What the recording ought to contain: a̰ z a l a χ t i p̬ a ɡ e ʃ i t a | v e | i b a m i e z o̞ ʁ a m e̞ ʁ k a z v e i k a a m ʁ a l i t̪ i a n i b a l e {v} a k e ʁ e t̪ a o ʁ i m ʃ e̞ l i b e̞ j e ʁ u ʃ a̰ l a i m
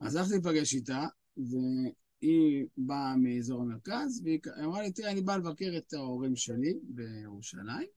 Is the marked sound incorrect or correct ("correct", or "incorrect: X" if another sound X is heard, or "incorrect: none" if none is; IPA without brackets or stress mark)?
correct